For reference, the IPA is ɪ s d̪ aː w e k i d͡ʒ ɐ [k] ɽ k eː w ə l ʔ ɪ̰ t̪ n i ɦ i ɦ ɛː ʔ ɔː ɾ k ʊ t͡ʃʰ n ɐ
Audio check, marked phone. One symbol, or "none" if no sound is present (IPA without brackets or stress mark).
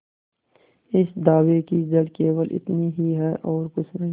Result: none